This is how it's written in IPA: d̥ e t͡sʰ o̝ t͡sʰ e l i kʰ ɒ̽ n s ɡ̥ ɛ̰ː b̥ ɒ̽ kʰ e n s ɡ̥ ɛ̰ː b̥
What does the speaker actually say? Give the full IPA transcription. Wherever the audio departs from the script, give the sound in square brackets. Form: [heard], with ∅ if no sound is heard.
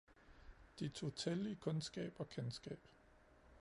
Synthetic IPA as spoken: d̥ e t͡sʰ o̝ t͡sʰ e l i kʰ [ɔ̽] n s ɡ̥ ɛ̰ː b̥ ɒ̽ kʰ e n s ɡ̥ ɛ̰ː b̥